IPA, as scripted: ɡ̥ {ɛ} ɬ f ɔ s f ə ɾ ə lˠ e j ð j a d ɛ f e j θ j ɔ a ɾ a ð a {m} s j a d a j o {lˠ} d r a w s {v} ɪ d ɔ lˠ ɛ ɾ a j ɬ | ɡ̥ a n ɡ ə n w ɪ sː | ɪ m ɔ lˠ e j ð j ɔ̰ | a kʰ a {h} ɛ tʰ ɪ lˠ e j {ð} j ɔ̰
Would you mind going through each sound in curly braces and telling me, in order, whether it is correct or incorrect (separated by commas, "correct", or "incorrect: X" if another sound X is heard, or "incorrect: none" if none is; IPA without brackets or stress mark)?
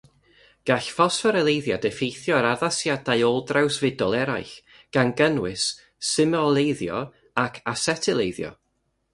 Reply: incorrect: a, incorrect: none, correct, correct, incorrect: s, correct